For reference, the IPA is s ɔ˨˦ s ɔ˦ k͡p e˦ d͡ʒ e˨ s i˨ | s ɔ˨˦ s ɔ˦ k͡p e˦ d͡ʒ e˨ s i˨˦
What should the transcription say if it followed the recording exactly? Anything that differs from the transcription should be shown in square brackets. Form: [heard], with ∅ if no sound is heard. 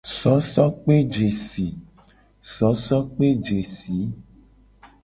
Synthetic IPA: s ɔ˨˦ s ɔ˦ k͡p e˦ d͡ʒ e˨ s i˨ | s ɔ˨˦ s ɔ˦ k͡p e˦ d͡ʒ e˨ s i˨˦